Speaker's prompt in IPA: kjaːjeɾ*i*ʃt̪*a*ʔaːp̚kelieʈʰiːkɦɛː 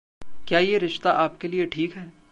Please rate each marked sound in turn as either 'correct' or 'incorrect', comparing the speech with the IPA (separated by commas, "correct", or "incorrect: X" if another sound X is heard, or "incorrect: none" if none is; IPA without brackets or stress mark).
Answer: incorrect: ɪ, correct